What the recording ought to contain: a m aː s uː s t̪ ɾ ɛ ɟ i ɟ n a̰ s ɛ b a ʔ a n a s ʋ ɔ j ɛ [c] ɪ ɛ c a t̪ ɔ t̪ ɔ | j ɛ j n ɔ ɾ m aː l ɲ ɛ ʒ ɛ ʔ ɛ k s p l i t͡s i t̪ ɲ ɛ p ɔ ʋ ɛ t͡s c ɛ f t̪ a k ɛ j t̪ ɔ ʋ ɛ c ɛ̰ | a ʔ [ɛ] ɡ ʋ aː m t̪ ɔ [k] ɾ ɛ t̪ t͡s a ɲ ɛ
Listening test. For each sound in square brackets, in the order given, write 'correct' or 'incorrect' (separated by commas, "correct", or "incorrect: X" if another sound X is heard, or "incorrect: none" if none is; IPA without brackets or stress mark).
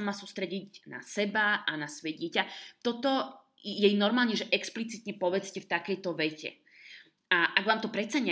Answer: incorrect: ɟ, incorrect: a, incorrect: p